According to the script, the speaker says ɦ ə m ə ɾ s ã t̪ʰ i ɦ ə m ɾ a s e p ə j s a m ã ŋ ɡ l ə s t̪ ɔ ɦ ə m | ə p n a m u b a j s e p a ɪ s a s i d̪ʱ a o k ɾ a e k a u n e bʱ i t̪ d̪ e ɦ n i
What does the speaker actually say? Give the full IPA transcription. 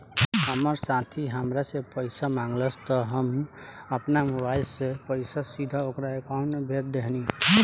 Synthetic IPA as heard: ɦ ə m ə ɾ s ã t̪ʰ i ɦ ə m ɾ a s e p ə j s a m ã ŋ ɡ l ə s t̪ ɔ ɦ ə m | ə p n a m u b a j s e p ə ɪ s a s i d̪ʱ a o k ɾ a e k a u n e bʱ e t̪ d̪ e ɦ n i